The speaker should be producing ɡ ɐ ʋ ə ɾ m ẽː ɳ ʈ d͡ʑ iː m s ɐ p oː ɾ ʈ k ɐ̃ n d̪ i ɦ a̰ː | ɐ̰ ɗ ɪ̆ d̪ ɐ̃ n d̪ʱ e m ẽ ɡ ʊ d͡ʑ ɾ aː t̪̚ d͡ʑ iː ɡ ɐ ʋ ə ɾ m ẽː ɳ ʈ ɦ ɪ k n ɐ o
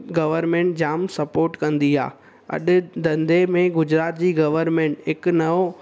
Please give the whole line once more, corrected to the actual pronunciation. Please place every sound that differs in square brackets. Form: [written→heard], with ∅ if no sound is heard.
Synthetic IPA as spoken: ɡ ɐ ʋ ə ɾ m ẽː ɳ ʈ d͡ʑ [iː→aː] m s ɐ p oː ɾ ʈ k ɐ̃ n d̪ i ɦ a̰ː | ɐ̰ ɗ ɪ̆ d̪ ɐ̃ n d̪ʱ e m ẽ ɡ ʊ d͡ʑ ɾ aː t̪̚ d͡ʑ iː ɡ ɐ ʋ ə ɾ m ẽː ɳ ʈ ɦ ɪ k n ɐ o